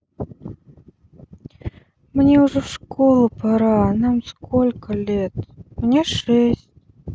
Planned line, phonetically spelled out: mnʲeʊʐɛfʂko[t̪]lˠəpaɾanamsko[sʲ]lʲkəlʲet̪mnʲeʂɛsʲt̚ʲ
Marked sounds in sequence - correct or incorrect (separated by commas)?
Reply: incorrect, incorrect